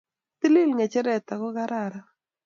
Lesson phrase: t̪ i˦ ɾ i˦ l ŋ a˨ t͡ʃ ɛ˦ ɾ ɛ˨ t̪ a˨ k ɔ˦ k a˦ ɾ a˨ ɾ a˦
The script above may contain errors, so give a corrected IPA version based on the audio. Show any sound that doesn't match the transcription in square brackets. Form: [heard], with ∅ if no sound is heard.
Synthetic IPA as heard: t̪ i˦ [l] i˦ l ŋ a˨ t͡ʃ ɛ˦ ɾ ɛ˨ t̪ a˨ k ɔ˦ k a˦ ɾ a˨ ɾ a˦